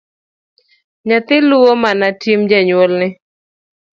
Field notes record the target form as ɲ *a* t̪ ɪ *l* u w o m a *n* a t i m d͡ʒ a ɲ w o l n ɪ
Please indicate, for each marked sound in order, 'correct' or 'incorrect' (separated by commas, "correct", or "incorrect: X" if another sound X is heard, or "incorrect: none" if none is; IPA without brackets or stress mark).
correct, correct, correct